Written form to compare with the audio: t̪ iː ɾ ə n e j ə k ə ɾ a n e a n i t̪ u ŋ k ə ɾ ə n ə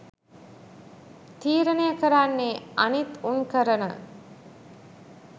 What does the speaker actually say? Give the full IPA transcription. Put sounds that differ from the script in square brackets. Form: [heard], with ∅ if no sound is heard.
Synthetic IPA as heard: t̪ iː ɾ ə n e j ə k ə ɾ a [nː] e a n i t̪ u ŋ k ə ɾ ə n ə